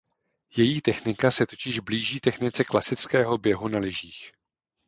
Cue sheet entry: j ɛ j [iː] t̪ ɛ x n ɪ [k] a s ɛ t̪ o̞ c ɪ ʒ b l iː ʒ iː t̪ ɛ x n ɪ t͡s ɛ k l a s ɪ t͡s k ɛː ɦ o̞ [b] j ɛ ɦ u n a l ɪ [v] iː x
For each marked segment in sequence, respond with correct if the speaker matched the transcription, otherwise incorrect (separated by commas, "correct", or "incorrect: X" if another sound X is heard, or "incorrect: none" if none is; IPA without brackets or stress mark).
correct, correct, correct, incorrect: ʒ